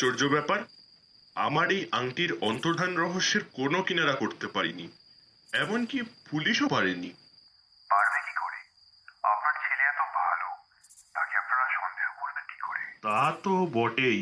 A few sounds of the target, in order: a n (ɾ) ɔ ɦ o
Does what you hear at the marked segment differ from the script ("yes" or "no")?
no